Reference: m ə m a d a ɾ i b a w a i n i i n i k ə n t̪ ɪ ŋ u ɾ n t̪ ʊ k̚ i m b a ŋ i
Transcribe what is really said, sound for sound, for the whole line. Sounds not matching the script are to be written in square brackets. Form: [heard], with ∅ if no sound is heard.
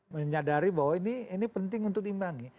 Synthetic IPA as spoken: m ə [ɲ] a d a ɾ i b a w a i n i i n i [p] ə n t̪ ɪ ŋ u [∅] n t̪ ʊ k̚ i m b a ŋ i